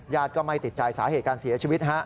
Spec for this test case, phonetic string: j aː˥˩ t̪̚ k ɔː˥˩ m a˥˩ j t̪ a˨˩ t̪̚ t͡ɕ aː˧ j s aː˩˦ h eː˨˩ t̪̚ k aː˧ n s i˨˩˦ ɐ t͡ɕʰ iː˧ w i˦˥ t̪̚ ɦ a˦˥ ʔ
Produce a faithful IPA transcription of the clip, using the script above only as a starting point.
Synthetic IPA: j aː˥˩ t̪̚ k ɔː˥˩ m a˥˩ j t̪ i˨˩ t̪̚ t͡ɕ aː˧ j s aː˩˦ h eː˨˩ t̪̚ k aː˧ n s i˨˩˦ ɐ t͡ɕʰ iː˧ w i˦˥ t̪̚ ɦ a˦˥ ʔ